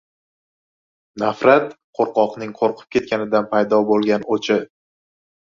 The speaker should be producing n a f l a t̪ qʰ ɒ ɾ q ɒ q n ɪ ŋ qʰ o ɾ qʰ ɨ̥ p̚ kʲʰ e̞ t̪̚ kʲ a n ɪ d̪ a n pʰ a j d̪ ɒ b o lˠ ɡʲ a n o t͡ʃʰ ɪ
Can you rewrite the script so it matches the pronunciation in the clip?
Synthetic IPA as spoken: n a f ɾ a t̪ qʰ o ɾ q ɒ q n ɪ ŋ qʰ o ɾ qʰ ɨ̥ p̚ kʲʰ e̞ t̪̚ kʲ a n ɪ d̪ a n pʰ a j d̪ ɒ b o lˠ ɡʲ a n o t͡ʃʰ ɪ